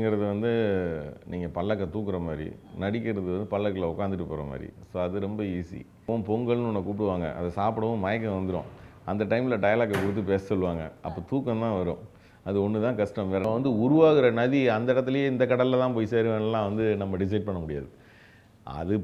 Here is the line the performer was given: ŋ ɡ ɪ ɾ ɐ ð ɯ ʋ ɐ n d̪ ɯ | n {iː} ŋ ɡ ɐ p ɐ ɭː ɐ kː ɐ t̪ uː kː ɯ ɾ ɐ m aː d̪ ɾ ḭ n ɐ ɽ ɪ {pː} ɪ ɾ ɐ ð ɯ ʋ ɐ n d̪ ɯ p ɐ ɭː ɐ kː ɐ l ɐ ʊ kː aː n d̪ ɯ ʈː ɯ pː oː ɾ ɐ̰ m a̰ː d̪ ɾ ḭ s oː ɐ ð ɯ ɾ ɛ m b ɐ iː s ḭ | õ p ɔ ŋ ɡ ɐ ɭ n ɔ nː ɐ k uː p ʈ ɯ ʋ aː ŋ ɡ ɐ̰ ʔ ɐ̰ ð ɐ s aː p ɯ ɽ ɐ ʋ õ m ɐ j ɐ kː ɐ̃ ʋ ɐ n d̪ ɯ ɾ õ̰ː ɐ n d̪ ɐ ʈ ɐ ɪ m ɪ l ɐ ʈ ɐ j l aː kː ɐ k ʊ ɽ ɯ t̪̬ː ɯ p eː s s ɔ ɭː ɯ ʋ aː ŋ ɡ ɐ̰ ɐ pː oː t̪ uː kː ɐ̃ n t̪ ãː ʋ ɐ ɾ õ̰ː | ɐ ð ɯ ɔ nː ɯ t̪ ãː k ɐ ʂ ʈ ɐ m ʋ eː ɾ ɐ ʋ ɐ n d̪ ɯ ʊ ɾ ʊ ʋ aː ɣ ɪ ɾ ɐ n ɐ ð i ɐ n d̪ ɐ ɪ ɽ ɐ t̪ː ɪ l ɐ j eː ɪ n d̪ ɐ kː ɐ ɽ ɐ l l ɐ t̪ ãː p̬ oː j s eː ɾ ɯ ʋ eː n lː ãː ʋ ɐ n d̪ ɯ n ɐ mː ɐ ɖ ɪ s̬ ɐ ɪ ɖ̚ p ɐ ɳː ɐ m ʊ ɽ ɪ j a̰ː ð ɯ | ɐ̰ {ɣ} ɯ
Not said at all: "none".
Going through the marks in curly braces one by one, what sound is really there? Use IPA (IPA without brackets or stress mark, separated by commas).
iː, kː, ð